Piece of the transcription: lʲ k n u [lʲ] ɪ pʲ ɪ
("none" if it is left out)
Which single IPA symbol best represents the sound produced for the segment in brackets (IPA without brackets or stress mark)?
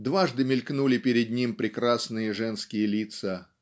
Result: lʲ